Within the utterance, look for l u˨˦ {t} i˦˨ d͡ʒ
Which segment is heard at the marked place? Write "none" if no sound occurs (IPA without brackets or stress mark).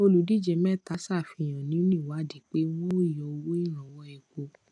d